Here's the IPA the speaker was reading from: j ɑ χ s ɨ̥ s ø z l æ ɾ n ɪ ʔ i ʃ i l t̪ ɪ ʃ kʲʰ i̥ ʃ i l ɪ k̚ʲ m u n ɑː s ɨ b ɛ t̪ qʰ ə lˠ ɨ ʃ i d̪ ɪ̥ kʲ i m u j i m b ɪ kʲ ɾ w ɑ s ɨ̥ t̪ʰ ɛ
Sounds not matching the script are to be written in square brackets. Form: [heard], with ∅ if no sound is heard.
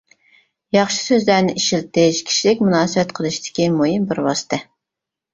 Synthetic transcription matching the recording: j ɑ χ [ʃ] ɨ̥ s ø z l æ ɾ n ɪ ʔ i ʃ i l t̪ ɪ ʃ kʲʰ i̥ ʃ i l ɪ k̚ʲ m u n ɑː s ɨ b ɛ t̪ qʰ ə lˠ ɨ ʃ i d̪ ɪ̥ kʲ i m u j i m b ɪ [∅] ɾ w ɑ s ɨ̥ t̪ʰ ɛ